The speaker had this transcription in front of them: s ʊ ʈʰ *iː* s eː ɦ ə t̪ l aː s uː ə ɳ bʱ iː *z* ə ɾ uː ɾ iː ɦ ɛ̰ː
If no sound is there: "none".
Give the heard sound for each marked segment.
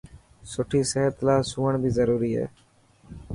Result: iː, z

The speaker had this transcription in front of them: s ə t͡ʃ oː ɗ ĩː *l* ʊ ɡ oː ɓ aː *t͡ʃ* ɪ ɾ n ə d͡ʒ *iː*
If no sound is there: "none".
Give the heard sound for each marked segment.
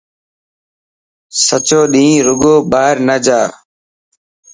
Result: ɾ, none, aː

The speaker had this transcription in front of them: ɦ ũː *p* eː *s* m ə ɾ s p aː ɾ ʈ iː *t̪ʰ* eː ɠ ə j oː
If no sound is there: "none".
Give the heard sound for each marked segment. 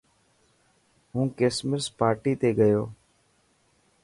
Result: k, s, t̪

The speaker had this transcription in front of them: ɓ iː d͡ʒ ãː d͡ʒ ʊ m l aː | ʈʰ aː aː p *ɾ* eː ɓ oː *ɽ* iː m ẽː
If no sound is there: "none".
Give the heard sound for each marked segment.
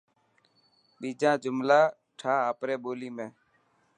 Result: ɾ, l

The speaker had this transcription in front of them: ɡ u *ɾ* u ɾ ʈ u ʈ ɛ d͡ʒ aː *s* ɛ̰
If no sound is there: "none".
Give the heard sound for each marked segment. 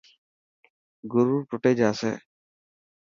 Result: ɾ, s

